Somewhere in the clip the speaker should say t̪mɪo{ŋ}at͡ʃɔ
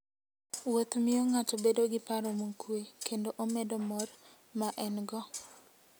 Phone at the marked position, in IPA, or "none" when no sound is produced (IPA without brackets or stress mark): ŋ